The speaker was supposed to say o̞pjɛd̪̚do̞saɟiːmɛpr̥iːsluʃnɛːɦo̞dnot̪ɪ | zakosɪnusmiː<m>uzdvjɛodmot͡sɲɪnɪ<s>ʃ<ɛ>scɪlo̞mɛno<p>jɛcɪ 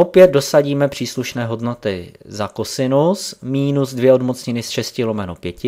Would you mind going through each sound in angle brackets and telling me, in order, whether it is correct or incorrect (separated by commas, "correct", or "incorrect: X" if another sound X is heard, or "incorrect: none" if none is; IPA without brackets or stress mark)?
incorrect: n, correct, correct, correct